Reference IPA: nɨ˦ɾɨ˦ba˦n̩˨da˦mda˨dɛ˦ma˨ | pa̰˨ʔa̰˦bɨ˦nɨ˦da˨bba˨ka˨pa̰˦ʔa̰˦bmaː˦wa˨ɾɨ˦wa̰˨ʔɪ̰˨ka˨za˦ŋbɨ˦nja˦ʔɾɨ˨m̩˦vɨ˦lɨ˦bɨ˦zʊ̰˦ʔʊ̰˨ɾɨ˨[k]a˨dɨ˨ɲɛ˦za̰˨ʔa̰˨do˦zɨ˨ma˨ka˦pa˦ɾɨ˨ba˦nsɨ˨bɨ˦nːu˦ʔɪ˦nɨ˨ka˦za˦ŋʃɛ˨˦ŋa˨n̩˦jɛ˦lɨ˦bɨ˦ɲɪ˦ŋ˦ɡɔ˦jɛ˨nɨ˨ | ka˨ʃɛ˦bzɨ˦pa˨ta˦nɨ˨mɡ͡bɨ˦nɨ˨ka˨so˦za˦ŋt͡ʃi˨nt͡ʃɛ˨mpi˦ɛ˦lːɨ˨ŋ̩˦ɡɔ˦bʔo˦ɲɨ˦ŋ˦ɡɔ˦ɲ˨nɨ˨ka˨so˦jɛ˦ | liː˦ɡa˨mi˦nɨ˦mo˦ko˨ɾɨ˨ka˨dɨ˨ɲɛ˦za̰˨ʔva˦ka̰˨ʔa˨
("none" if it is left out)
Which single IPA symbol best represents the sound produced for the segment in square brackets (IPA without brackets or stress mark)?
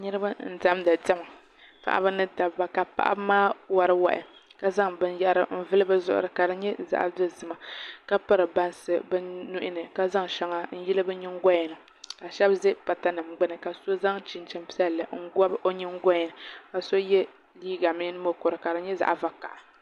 k